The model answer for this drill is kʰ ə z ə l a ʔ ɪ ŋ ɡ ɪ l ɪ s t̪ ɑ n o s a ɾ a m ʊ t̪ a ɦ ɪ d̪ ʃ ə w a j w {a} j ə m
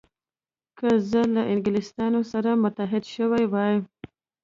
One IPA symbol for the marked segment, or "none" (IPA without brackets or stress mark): ɑ